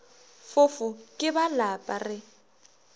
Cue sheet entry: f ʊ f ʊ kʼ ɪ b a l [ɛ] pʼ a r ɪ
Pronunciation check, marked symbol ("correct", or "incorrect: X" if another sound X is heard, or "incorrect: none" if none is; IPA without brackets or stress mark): incorrect: a